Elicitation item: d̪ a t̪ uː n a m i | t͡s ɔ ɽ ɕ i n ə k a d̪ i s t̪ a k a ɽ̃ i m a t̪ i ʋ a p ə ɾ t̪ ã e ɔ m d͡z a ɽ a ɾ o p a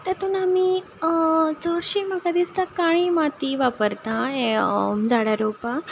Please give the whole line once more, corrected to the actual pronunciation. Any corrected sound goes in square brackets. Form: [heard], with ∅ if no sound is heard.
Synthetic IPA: [t̪] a t̪ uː n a m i | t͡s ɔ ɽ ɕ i [m] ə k a d̪ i s t̪ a k a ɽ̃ i m a t̪ i ʋ a p ə ɾ t̪ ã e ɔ m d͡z a ɽ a ɾ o p a